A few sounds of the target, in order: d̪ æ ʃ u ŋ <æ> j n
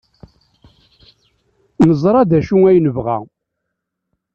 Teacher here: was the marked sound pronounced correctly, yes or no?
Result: yes